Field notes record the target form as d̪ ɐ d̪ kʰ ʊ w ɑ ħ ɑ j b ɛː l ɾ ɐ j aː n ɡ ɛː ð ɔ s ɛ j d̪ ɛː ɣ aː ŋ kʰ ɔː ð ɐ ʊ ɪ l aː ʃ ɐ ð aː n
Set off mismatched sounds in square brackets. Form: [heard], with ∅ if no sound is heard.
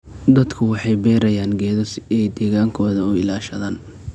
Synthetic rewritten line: d̪ ɐ d̪ kʰ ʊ w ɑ ħ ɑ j b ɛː [∅] ɾ ɐ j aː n ɡ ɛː ð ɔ s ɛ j d̪ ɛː ɣ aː ŋ kʰ ɔː ð ɐ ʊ ɪ l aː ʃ ɐ ð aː n